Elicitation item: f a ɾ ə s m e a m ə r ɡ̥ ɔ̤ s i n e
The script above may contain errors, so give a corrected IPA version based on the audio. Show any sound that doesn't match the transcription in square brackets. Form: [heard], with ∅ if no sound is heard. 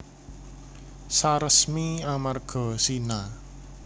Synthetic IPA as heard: [s] a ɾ ə s m [i] a m [a] r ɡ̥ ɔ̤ s i n [a]